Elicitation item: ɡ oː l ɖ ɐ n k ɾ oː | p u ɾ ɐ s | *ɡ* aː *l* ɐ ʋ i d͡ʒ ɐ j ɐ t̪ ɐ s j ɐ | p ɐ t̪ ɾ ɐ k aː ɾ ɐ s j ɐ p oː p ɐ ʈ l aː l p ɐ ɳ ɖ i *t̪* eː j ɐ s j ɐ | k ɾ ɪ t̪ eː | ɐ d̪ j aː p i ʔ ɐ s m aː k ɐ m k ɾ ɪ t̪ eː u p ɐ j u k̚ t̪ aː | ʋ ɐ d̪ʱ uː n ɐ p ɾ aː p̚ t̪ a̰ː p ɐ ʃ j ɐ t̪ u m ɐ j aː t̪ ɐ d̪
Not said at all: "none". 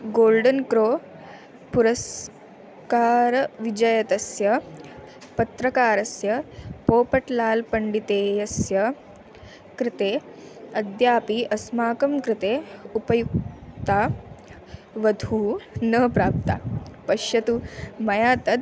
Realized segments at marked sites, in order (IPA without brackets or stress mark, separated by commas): k, ɾ, t̪